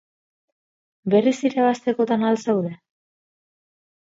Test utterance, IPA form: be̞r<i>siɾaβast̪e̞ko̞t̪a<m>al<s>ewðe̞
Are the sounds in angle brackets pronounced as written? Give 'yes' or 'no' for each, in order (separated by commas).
yes, no, yes